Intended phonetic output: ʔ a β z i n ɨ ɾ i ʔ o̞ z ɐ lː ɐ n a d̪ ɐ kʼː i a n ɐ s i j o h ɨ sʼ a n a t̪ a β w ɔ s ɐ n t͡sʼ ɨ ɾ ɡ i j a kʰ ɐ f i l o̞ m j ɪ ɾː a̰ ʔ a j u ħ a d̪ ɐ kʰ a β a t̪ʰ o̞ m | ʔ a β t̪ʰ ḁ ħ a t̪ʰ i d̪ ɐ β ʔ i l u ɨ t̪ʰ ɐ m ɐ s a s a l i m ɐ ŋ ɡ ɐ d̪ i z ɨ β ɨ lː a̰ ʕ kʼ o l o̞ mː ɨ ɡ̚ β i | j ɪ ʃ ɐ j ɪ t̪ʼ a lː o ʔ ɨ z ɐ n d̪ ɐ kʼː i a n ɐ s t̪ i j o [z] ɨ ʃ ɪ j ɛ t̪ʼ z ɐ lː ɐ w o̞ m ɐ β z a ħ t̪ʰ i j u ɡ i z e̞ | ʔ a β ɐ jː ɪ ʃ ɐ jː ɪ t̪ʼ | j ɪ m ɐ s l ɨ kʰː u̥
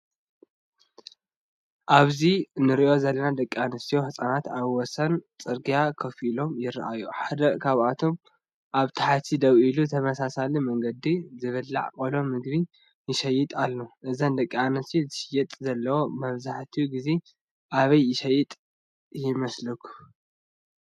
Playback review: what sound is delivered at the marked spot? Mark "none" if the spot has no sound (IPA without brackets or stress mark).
z